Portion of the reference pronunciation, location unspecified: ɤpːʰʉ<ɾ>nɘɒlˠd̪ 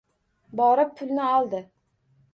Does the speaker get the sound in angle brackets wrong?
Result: yes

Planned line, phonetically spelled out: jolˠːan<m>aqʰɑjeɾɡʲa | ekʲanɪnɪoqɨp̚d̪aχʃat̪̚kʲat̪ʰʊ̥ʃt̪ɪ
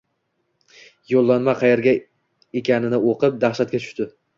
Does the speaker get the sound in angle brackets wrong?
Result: no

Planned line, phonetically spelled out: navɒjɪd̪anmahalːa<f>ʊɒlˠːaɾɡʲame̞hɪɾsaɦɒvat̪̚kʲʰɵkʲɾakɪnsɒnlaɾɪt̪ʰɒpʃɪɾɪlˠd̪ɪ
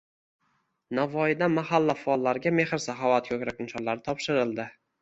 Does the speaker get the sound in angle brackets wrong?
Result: no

